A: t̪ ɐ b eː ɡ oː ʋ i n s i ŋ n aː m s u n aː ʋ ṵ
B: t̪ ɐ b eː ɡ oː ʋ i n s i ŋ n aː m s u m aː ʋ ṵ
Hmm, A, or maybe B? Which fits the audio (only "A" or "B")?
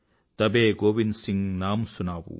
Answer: A